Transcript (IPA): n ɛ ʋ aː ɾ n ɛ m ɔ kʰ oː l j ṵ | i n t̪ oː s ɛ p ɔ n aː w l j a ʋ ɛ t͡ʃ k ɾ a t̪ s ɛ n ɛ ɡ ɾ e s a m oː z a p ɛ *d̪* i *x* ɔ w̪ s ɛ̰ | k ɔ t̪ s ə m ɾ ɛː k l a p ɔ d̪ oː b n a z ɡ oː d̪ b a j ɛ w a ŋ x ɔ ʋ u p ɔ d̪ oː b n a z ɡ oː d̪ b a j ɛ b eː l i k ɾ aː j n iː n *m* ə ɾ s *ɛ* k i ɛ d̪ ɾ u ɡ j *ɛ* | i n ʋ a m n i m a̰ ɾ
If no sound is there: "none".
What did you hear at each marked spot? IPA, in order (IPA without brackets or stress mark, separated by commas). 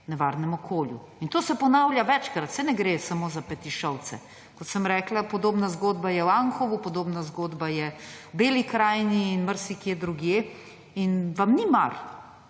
t̪, ʃ, m, i, e